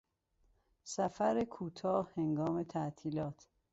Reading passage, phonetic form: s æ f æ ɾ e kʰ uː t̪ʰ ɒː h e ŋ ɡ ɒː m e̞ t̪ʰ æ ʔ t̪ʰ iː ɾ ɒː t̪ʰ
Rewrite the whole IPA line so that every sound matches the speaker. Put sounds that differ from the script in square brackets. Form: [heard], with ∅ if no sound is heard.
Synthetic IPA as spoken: s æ f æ ɾ e kʰ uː t̪ʰ ɒː h e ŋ ɡ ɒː m e̞ t̪ʰ æ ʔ t̪ʰ iː [l] ɒː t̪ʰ